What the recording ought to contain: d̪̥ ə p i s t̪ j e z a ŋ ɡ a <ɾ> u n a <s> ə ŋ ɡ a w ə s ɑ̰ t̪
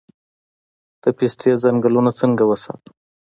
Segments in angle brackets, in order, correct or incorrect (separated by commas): incorrect, incorrect